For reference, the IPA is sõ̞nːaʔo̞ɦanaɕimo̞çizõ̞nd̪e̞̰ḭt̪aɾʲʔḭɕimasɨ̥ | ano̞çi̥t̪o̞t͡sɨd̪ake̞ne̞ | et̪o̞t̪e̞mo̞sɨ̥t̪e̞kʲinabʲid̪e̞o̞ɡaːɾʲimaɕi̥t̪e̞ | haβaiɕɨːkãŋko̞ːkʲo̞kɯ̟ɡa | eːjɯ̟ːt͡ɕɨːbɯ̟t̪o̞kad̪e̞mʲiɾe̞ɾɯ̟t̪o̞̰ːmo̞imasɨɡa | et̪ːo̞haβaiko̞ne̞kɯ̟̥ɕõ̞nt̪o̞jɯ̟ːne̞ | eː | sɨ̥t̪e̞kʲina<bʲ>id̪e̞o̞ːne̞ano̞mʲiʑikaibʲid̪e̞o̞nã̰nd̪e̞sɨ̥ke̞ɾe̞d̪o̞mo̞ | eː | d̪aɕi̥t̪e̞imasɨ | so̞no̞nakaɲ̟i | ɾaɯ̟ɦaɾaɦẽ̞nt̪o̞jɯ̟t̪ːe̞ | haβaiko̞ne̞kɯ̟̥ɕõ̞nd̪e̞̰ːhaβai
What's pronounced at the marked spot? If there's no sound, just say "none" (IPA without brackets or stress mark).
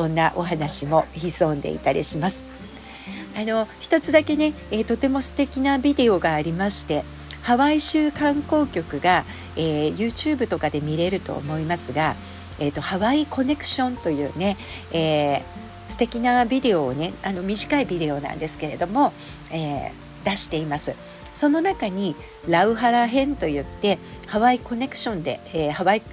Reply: bʲ